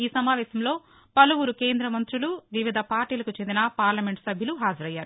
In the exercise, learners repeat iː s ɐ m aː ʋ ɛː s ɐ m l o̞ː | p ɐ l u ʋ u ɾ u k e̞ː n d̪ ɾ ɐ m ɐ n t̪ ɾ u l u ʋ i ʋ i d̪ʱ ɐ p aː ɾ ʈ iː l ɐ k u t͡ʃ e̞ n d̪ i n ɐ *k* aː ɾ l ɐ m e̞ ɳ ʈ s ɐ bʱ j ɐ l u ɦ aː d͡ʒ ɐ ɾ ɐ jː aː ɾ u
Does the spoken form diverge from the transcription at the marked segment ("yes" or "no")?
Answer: yes